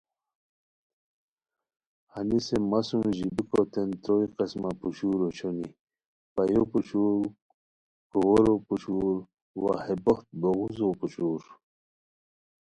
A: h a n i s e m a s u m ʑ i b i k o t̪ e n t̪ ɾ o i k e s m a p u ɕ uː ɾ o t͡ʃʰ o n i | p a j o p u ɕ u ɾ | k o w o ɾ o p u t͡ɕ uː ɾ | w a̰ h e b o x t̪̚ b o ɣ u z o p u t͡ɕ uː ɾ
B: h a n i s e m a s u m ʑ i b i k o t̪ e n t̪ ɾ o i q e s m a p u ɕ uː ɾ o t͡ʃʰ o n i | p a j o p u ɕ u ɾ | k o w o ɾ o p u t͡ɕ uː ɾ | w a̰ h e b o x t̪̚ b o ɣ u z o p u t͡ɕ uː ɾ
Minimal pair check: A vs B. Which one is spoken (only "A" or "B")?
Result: B